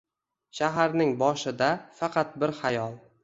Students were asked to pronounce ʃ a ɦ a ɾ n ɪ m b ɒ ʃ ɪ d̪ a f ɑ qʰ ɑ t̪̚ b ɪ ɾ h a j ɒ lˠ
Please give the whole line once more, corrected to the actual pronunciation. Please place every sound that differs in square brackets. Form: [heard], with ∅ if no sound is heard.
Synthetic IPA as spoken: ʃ a ɦ a ɾ n ɪ [ŋ] b ɒ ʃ ɪ d̪ a f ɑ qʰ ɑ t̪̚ b ɪ ɾ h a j ɒ lˠ